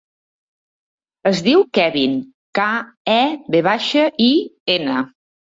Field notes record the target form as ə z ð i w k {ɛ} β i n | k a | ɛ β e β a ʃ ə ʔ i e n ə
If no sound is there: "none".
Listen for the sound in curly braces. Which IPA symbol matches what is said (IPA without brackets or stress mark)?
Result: ɛ